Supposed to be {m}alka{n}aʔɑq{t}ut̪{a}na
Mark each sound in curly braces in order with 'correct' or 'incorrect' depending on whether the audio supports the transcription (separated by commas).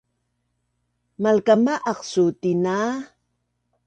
correct, incorrect, incorrect, incorrect